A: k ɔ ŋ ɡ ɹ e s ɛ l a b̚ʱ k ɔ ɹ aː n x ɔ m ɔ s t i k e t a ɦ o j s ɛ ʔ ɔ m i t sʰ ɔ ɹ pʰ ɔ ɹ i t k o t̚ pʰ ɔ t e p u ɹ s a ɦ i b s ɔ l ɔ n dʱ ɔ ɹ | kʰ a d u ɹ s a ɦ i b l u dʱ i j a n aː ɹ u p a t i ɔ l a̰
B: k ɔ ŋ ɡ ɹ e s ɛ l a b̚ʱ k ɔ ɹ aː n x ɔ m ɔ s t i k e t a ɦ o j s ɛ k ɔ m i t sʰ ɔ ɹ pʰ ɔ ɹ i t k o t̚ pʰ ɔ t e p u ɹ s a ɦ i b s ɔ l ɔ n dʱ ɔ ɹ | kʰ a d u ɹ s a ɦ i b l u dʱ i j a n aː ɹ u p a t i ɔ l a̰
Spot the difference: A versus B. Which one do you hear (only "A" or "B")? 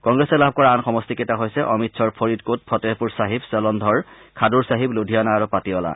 A